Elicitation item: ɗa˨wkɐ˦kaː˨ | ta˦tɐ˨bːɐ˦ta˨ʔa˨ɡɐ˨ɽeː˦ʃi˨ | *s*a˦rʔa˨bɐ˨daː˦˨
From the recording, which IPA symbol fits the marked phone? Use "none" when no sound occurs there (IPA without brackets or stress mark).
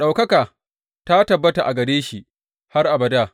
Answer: h